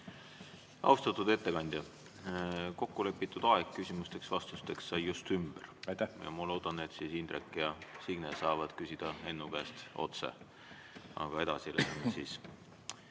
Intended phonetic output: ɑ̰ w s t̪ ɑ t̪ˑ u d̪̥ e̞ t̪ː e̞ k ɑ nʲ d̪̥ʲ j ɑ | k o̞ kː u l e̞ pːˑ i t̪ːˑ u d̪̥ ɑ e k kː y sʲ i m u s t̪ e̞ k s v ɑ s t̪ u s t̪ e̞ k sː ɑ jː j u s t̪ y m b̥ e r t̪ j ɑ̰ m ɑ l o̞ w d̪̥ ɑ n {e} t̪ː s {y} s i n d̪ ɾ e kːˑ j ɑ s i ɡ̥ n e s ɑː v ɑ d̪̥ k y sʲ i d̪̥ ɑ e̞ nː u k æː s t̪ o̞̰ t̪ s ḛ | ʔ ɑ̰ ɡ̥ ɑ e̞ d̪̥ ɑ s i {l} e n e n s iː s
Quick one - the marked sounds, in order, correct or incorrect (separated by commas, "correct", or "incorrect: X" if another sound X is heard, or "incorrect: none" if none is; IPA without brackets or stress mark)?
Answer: correct, incorrect: i, correct